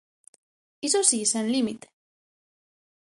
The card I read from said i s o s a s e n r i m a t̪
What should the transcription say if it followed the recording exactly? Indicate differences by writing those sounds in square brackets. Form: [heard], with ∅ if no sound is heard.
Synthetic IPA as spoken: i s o s [i] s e n [l] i m [i] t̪